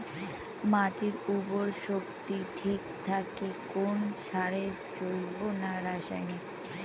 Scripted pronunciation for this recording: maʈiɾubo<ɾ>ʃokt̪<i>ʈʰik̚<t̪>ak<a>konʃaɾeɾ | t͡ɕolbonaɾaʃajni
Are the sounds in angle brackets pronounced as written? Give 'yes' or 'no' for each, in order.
yes, yes, no, no

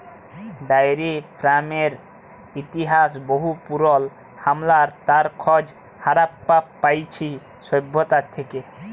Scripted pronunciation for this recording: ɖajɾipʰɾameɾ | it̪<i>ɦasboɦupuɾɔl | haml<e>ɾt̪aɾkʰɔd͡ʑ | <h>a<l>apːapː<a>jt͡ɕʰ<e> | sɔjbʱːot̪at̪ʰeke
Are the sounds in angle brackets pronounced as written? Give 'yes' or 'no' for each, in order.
yes, no, yes, no, yes, no

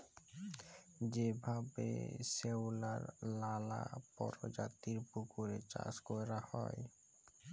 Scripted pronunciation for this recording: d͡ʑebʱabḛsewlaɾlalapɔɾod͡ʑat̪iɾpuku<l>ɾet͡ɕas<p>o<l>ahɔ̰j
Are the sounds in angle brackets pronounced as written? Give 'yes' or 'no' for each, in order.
no, no, no

